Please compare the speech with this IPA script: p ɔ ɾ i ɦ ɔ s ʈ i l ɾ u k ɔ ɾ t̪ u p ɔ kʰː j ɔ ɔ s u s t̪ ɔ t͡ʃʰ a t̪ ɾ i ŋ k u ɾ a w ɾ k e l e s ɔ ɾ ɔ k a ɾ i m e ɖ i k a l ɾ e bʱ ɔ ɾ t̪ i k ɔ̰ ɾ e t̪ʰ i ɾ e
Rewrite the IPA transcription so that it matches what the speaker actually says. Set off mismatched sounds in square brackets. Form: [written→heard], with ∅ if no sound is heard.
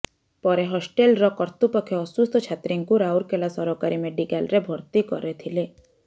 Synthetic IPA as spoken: p ɔ ɾ [i→e] ɦ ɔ s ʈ [i→e] l ɾ [u→ɔ] k ɔ ɾ t̪ u p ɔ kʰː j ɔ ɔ s u s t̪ ɔ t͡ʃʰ a t̪ ɾ i ŋ k u ɾ a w ɾ k e l [e→a] s ɔ ɾ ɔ k a ɾ i m e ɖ i k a l ɾ e bʱ ɔ ɾ t̪ i k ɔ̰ ɾ e t̪ʰ i [ɾ→l] e